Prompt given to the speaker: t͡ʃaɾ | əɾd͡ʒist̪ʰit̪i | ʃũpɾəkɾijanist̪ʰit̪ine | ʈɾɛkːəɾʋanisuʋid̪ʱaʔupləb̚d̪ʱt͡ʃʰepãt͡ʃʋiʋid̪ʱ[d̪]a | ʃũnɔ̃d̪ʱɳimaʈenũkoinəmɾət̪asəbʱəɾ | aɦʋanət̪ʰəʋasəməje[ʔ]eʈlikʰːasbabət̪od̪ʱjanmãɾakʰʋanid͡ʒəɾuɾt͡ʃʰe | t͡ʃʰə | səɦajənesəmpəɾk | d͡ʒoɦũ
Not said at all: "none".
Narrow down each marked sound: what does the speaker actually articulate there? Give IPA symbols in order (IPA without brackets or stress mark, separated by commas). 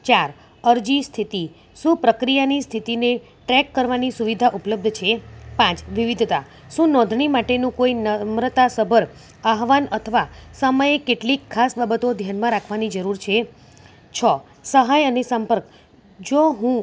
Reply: t̪, k